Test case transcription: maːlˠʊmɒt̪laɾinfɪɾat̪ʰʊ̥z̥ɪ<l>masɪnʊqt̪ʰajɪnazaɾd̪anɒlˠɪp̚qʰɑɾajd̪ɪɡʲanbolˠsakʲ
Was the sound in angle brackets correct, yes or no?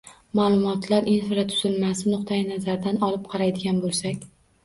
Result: yes